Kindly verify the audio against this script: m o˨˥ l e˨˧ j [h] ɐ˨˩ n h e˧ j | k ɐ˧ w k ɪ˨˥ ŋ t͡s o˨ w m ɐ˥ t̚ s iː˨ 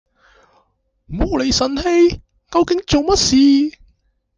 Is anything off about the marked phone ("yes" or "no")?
yes